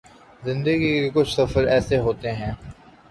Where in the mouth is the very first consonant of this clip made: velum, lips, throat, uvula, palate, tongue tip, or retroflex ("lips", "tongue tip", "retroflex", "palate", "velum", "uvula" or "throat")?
tongue tip